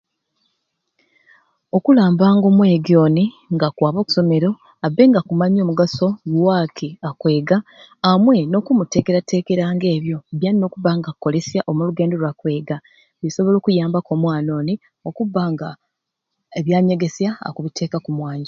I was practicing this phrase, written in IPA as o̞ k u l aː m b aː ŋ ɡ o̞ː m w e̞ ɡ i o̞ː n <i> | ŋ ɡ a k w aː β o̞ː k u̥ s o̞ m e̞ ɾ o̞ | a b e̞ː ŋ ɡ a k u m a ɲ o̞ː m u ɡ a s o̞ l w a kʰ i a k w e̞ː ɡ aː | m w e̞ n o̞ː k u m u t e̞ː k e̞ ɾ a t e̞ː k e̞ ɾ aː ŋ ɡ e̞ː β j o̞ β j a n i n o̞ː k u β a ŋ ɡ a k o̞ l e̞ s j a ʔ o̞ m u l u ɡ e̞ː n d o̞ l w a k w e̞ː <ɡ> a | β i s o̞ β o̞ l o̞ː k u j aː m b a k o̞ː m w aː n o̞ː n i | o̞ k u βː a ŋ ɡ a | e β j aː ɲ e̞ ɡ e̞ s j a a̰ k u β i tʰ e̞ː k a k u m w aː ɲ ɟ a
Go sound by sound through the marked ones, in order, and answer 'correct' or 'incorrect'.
correct, correct

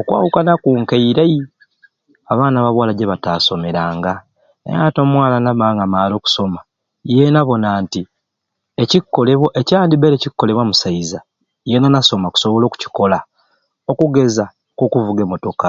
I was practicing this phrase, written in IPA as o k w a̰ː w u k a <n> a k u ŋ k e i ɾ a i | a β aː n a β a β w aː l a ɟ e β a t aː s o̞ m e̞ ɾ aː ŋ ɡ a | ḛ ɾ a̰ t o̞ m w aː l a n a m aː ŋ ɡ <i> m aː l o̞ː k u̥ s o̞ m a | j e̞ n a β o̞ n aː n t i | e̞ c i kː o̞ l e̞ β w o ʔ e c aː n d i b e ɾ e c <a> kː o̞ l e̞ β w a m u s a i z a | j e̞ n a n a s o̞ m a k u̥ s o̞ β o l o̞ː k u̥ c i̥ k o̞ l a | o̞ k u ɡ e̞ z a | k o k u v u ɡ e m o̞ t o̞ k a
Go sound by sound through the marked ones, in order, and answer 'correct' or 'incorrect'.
correct, incorrect: a, incorrect: i

